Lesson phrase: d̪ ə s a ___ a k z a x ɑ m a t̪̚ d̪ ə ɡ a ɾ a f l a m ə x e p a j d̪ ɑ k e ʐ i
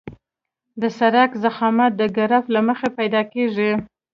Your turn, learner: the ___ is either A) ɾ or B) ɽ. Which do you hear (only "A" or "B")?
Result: A